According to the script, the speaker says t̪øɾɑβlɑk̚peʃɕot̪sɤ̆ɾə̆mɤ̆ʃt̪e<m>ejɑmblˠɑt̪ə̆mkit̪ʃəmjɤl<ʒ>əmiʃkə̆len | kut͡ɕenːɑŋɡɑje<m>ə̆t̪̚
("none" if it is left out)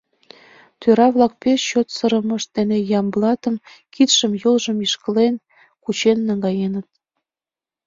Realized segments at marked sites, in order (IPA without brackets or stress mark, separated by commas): n, ʒ, n